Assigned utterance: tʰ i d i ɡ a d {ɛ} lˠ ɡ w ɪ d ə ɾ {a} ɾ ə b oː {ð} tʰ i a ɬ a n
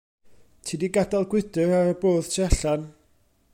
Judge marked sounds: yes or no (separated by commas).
no, yes, yes